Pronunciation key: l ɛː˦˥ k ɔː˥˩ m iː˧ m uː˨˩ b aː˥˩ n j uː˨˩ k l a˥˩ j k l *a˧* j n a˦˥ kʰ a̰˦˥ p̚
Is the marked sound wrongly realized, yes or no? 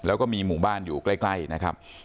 yes